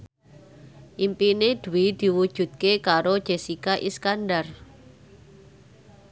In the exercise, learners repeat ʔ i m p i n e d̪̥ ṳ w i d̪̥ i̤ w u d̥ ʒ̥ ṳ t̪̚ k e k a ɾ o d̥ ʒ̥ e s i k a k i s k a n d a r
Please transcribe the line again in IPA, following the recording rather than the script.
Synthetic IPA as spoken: ʔ i m p i n e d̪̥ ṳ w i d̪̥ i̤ w u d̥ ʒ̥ ṳ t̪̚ k e k a ɾ o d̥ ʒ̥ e s i k a ʔ i s k a n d a r